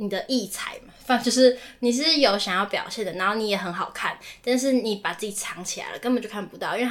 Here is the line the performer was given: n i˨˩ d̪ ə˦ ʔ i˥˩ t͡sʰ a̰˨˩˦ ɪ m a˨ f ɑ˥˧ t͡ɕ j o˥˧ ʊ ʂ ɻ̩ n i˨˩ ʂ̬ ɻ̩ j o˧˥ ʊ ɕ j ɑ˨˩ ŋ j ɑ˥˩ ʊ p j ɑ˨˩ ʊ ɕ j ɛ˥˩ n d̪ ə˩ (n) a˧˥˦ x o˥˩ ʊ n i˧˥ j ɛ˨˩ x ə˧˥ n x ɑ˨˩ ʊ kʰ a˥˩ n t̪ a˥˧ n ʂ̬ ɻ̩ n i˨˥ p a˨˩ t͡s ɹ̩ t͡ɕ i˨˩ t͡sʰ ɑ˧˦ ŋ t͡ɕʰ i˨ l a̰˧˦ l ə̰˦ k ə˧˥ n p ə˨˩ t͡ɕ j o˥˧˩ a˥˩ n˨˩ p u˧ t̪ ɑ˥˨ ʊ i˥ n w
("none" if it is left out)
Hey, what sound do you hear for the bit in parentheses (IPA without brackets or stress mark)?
n